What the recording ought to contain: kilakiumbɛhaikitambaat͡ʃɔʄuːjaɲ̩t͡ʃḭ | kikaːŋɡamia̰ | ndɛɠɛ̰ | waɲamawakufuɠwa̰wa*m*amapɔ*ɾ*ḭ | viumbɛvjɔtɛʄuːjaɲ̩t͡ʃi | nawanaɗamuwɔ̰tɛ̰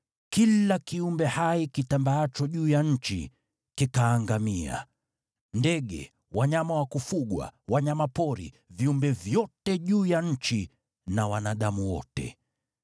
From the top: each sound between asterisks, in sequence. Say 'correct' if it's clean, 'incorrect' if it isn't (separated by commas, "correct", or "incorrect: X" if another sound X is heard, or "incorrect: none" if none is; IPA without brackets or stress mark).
incorrect: ɲ, correct